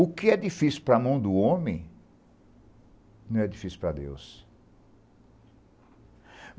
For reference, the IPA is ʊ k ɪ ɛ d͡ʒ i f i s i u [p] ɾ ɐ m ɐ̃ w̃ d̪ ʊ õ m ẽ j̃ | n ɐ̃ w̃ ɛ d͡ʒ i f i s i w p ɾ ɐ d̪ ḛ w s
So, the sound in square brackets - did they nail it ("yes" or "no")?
yes